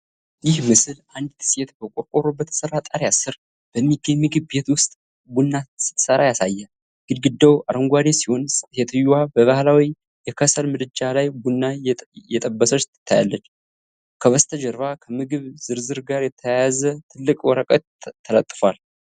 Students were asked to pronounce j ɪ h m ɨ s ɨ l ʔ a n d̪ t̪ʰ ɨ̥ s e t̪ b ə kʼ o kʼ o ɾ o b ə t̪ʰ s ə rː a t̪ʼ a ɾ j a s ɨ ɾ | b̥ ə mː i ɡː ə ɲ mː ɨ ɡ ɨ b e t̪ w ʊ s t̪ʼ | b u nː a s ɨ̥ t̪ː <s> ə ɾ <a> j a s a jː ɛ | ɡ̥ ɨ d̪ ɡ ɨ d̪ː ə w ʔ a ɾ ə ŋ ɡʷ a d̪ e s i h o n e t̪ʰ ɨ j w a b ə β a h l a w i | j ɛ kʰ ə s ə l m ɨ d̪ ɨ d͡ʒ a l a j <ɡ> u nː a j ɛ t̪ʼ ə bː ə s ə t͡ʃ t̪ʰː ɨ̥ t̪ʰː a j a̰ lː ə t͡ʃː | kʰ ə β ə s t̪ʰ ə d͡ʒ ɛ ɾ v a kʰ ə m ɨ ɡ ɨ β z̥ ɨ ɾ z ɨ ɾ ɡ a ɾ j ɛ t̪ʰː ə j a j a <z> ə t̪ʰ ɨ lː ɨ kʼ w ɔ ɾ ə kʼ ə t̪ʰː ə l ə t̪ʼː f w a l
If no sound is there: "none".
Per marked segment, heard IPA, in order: s, a, b, z

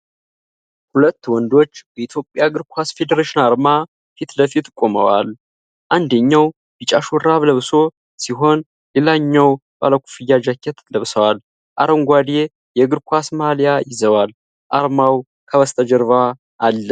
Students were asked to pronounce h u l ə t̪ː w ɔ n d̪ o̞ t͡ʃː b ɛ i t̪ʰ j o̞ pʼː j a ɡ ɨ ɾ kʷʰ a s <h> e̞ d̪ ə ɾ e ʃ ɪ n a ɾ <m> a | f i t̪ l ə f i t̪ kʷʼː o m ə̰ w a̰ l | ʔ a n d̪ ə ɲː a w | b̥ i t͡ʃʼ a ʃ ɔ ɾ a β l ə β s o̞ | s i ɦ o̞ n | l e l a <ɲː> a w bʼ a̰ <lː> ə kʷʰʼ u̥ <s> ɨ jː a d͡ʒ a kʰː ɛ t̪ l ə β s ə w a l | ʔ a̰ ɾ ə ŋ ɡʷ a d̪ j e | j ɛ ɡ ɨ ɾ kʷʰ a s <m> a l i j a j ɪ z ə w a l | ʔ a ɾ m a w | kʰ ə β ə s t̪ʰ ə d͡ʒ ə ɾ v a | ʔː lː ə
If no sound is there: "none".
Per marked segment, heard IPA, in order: f, m, ɲː, l, f, m

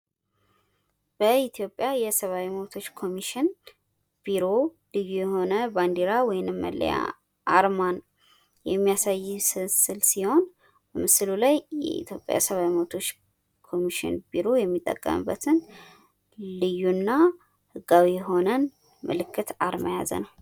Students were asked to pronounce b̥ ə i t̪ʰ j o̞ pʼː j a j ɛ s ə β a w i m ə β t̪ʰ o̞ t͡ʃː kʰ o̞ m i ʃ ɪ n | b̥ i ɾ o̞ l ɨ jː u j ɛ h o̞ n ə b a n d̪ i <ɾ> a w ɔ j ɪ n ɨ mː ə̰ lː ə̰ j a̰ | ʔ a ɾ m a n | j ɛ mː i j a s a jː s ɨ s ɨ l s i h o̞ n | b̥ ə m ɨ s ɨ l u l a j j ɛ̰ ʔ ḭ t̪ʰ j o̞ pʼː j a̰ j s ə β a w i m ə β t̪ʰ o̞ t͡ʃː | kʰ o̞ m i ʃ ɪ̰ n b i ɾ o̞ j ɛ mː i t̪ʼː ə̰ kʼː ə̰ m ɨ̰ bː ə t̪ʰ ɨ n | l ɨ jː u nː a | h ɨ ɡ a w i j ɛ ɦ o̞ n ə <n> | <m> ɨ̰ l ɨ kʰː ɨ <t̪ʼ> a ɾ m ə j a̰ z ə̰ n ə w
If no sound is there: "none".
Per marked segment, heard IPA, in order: ɾ, n, m, t̪

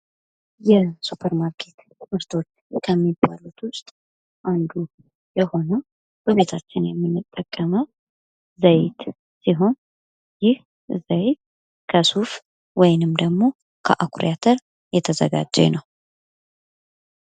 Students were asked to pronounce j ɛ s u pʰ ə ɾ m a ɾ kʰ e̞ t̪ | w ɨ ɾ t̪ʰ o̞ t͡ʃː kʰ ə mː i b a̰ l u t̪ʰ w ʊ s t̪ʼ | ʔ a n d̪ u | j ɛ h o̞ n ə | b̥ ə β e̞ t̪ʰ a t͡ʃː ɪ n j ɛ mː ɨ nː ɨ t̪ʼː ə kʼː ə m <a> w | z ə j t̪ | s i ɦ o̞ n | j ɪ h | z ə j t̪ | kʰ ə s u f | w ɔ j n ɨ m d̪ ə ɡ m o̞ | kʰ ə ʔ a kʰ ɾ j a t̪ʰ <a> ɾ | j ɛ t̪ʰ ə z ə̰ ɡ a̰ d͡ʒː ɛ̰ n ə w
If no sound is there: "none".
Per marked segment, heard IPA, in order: ə, ə

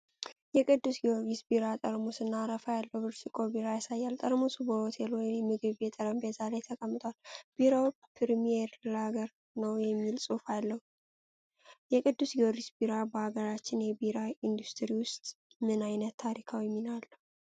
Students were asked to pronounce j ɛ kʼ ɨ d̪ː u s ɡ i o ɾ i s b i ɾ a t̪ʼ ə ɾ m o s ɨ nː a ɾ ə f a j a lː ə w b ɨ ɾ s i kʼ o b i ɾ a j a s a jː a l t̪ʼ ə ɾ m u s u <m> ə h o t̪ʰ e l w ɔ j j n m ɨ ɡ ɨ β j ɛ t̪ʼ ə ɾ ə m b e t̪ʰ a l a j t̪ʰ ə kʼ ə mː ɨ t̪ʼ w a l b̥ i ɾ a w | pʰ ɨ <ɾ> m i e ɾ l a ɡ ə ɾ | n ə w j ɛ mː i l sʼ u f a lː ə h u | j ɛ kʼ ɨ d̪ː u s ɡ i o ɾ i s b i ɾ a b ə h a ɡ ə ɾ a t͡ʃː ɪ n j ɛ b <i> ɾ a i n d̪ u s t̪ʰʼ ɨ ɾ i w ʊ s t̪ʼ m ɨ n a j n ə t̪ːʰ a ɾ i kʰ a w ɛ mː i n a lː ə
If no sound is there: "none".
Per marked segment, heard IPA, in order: b, ɾ, i

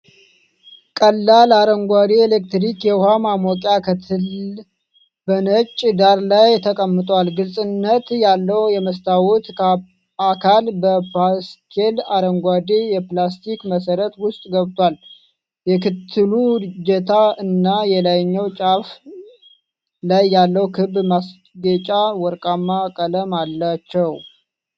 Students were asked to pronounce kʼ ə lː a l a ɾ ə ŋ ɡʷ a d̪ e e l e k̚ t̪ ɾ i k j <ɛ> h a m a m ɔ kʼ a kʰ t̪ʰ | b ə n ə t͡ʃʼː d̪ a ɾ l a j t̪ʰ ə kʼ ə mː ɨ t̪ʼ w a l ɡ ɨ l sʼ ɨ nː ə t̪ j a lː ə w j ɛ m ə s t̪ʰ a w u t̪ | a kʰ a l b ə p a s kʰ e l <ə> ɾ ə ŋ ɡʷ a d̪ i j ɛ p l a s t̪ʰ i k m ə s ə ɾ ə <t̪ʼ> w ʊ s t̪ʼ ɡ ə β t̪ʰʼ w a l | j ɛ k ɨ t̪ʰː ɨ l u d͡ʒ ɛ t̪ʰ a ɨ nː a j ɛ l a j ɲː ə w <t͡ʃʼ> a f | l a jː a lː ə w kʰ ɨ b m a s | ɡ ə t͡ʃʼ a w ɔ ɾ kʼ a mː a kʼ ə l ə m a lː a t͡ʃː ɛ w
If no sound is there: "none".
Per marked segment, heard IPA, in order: ɛ, a, t̪, t͡ʃʼ

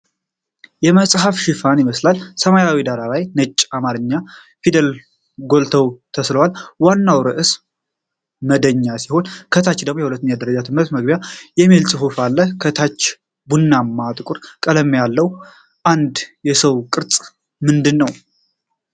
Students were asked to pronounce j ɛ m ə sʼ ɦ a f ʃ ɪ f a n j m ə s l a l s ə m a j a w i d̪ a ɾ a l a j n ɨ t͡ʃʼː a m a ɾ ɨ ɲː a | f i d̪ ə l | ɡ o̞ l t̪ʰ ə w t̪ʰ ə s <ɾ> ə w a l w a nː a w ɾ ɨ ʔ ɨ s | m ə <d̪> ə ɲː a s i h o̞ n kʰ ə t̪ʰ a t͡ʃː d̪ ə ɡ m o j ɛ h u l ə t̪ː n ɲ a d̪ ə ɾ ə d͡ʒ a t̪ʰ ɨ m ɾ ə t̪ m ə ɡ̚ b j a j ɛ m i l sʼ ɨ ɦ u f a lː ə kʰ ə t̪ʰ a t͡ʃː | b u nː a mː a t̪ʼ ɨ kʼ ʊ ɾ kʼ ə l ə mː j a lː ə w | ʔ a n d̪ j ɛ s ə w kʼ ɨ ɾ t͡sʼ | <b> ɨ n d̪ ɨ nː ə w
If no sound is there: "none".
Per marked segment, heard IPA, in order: l, d̪, m

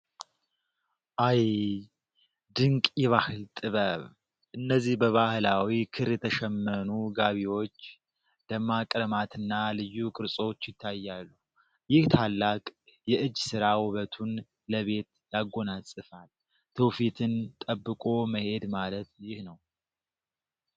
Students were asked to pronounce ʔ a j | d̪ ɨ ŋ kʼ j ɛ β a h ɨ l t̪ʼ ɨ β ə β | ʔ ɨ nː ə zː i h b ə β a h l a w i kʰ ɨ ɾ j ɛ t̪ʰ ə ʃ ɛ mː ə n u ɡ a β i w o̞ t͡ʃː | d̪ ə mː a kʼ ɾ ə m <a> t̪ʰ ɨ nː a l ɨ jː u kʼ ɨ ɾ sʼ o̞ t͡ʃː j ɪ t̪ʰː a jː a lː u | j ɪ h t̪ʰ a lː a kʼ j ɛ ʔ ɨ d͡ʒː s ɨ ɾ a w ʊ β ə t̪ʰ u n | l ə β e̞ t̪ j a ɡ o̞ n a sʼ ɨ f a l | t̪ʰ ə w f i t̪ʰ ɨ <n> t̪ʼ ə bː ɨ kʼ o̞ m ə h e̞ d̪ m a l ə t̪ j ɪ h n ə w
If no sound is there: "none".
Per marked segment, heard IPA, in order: a, n

